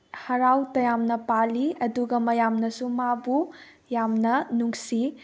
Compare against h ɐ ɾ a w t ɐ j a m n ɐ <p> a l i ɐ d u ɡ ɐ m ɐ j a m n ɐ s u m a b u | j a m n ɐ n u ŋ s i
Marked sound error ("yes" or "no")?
no